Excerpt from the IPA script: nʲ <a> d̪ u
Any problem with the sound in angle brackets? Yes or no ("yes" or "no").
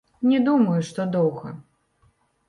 yes